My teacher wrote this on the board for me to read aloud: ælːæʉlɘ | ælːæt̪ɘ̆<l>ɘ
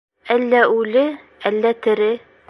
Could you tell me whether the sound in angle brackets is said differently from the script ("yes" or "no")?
yes